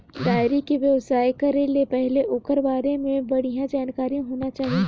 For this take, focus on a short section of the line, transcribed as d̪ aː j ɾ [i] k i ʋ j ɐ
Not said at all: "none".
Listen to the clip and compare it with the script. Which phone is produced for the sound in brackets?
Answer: i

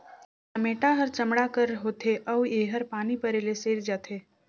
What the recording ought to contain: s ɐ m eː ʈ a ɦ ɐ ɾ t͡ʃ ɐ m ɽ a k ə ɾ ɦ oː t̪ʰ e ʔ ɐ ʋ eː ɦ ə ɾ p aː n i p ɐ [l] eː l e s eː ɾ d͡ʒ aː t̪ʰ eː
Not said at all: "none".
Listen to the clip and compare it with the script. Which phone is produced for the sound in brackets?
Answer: ɾ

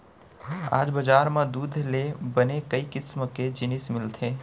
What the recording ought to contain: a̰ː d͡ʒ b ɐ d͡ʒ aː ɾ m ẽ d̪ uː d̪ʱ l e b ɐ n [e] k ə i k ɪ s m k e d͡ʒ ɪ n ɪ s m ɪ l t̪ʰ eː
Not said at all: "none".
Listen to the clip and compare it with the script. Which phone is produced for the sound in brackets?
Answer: e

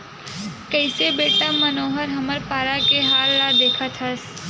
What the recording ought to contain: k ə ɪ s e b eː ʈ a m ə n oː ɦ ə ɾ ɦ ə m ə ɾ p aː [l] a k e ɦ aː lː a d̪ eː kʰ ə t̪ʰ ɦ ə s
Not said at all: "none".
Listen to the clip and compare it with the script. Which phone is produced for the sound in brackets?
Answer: ɾ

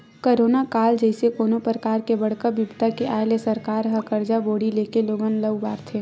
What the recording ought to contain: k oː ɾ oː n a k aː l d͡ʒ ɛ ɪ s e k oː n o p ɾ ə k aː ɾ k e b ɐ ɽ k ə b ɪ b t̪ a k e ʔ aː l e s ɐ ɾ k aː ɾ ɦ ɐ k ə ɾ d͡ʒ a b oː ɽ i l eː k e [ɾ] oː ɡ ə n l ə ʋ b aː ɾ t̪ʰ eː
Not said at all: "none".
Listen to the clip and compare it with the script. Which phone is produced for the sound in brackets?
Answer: l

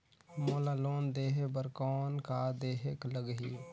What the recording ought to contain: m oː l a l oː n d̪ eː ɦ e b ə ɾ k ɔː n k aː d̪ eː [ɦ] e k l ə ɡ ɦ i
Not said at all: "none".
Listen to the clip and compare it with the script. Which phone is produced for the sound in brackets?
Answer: ɦ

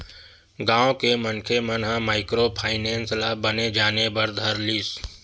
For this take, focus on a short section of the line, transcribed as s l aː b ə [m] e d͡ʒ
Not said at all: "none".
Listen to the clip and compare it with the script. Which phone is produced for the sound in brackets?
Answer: n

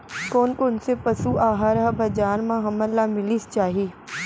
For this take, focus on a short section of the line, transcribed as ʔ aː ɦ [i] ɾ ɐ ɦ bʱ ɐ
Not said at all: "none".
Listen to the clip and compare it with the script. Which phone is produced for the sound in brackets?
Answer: a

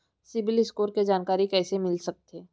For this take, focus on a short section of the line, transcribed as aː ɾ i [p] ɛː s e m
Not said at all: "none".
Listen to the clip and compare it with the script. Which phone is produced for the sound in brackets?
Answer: k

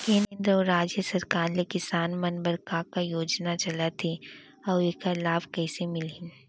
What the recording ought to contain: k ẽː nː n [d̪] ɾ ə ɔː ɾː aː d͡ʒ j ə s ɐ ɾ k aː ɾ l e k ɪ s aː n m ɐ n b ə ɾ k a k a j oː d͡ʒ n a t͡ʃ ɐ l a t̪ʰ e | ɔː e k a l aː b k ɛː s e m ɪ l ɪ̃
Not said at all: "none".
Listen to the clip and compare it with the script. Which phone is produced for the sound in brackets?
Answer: d̪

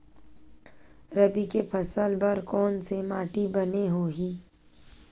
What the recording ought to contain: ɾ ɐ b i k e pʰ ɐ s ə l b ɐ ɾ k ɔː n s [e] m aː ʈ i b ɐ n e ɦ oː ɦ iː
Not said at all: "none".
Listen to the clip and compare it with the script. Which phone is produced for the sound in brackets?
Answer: e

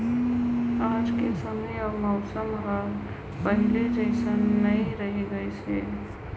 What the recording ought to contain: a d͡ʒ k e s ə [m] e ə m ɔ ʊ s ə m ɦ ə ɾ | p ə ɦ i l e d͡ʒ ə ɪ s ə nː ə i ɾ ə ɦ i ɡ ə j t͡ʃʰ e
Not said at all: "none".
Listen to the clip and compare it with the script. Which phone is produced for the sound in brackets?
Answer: m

